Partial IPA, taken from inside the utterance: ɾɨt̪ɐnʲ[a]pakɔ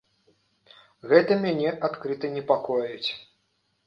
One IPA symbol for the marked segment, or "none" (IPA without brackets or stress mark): ɛ